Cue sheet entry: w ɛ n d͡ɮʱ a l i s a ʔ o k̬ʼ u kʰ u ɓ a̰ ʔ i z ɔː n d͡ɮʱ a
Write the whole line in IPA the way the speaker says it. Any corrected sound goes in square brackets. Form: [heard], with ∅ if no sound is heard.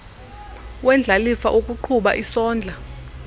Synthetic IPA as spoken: w ɛ n d͡ɮʱ a l i [f] a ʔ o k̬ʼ u [ǃʰ] u ɓ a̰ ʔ i [s] ɔː n d͡ɮʱ a